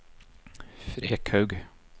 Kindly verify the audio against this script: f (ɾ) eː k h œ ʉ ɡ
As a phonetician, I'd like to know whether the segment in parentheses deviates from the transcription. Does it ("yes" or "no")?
no